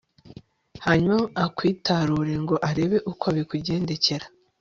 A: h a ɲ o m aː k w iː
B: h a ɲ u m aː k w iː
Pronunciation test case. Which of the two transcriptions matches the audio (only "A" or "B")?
B